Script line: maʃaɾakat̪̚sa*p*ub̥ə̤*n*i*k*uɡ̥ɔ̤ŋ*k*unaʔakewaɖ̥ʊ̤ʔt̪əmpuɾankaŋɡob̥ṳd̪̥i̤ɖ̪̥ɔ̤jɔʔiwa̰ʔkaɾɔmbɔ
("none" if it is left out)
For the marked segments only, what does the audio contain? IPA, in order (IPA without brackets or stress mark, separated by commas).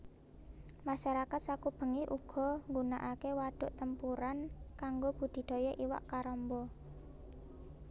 k, ŋ, ʔ, ɡ